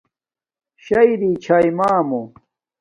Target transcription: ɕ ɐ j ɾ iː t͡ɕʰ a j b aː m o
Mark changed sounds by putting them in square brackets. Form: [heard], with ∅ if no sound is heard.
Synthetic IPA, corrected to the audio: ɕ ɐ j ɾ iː t͡ɕʰ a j [m] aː m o